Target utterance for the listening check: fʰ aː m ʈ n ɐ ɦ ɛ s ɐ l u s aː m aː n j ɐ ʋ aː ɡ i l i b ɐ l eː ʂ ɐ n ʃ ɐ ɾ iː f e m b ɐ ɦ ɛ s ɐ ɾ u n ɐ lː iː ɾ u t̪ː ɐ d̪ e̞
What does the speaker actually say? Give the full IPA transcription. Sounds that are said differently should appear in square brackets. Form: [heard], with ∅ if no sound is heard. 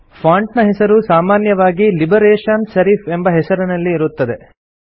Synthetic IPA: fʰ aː [ɳ] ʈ n ɐ ɦ ɛ s ɐ [ɾ] u s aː m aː n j ɐ ʋ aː ɡ i l i b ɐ [ɾ] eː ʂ ɐ n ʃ ɐ ɾ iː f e m b ɐ ɦ ɛ s ɐ ɾ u n ɐ lː iː ɾ u t̪ː ɐ d̪ e̞